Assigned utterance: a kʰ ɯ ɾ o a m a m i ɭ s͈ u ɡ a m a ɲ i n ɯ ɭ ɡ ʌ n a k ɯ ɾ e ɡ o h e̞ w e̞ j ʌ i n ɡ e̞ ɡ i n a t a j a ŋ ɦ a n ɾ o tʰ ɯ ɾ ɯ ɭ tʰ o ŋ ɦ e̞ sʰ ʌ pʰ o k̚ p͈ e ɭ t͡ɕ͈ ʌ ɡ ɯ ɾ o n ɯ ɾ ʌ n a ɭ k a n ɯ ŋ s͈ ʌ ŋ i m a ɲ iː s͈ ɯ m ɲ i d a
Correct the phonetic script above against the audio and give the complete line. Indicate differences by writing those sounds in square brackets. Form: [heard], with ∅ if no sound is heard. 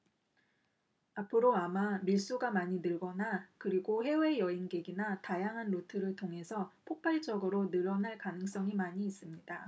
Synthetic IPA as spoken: a [pʰ] ɯ ɾ o a m a m i ɭ s͈ u ɡ a m a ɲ i n ɯ ɭ ɡ ʌ n a k ɯ ɾ [i] ɡ o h e̞ w e̞ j ʌ i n ɡ e̞ ɡ i n a t a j a ŋ ɦ a n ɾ o tʰ ɯ ɾ ɯ ɭ tʰ o ŋ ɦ e̞ sʰ ʌ pʰ o k̚ p͈ [a] ɭ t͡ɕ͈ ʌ ɡ ɯ ɾ o n ɯ ɾ ʌ n a ɭ k a n ɯ ŋ s͈ ʌ ŋ i m a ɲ iː s͈ ɯ m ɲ i d a